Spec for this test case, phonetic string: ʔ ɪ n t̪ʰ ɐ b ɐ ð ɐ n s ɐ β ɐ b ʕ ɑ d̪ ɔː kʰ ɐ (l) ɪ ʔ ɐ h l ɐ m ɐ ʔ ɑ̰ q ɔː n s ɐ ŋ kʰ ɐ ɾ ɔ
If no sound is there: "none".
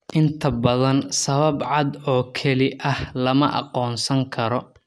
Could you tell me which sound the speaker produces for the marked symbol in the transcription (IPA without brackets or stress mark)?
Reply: l